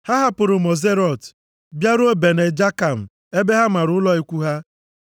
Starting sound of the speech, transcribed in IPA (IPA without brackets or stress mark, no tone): h